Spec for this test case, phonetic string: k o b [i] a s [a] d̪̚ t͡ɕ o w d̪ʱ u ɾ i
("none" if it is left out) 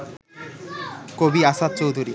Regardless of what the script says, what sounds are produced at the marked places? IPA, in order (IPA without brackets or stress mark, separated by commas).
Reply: i, a